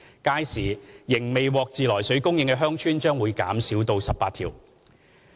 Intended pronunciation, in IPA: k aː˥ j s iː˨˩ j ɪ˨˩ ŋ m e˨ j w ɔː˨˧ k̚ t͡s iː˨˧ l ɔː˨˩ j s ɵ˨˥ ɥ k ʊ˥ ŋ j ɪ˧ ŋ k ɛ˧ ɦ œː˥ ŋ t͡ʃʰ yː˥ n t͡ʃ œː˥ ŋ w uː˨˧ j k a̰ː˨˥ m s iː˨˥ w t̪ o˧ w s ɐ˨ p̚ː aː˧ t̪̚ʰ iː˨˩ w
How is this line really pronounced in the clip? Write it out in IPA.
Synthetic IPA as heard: k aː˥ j s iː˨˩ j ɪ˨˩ ŋ m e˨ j w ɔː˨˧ k̚ t͡s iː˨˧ l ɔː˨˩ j s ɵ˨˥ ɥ k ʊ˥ ŋ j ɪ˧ ŋ k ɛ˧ ɦ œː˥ ŋ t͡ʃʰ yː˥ n t͡ʃ œː˥ ŋ w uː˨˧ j k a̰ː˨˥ m s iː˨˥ w t̪ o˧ w s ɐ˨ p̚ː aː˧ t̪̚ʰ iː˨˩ w